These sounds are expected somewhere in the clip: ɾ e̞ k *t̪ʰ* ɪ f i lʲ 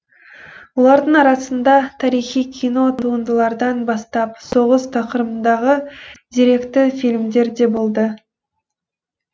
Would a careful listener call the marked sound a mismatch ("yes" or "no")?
yes